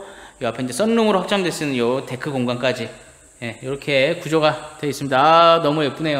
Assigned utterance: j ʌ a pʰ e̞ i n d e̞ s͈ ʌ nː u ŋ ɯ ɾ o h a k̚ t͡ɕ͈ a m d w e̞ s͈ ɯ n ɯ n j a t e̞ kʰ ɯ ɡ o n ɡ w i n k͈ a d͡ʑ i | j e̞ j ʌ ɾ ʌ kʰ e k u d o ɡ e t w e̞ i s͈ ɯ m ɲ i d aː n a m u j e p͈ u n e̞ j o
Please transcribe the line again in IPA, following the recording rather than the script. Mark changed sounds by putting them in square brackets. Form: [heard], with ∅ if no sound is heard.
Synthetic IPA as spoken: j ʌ a pʰ e̞ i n [d͡ʑ] e̞ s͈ ʌ nː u ŋ ɯ ɾ o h a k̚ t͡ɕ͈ a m d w e̞ s͈ ɯ n ɯ n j [ʌ] t e̞ kʰ ɯ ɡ o [ŋ] ɡ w [a] n k͈ a d͡ʑ i | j e̞ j ʌ ɾ ʌ kʰ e k u [d͡ʑ] o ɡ [a] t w e̞ i s͈ ɯ m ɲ i d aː n [ʌ] m u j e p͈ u n e̞ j o